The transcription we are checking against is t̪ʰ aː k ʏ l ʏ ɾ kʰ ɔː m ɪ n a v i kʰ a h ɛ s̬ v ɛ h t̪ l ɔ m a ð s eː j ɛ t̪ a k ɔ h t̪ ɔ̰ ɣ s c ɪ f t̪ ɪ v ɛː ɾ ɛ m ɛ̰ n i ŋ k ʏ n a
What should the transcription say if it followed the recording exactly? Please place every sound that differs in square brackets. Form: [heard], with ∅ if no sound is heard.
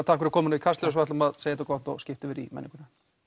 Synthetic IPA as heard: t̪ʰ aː k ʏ [ɾ] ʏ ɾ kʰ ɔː m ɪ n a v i kʰ a [s] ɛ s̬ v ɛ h t̪ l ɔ m a ð s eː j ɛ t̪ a k ɔ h t̪ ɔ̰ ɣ s c ɪ f t̪ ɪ v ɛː ɾ [i] m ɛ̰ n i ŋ k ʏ n a